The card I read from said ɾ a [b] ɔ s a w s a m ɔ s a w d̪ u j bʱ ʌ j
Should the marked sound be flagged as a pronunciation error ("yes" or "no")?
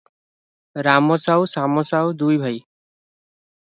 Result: yes